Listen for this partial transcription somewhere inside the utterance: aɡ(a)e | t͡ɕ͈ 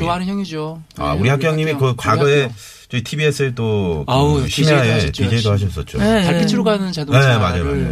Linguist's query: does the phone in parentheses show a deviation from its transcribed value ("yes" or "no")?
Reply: yes